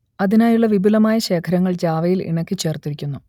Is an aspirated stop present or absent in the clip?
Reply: present